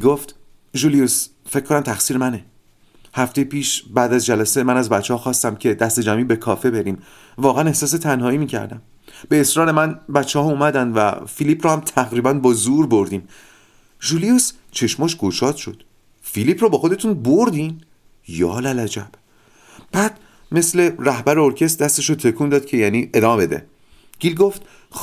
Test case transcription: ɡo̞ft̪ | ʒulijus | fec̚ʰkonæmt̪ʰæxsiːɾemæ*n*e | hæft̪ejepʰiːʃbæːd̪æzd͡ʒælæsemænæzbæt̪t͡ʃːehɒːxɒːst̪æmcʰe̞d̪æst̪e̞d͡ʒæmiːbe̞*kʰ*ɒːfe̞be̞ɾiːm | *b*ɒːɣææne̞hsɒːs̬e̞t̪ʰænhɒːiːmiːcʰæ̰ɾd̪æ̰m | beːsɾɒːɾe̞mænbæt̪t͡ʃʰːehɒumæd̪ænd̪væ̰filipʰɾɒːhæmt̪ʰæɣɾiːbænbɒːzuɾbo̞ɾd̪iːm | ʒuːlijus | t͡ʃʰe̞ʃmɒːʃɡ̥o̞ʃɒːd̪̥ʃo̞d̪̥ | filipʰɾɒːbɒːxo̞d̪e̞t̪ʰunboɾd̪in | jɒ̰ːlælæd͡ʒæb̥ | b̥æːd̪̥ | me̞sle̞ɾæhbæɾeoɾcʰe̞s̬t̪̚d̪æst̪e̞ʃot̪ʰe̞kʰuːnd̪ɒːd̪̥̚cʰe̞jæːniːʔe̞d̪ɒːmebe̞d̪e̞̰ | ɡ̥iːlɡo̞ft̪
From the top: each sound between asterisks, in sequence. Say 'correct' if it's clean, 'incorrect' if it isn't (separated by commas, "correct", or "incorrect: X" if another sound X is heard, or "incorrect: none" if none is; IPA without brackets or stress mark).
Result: correct, correct, incorrect: v